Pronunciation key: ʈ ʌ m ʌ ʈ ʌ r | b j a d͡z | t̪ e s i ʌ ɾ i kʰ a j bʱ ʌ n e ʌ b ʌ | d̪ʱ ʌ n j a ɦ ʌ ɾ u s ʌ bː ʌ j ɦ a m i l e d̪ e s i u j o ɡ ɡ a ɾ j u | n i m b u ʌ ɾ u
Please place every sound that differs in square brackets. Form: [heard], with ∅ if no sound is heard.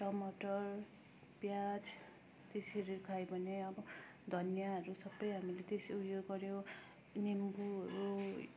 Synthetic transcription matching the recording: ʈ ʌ m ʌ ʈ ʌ r | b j a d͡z | t̪ e s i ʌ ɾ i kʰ a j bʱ ʌ n e ʌ b ʌ | d̪ʱ ʌ n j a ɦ ʌ ɾ u s ʌ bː ʌ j ɦ a m i l e [t̪] e s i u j o ɡ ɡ [ʌ] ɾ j [o] | n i m b u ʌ ɾ u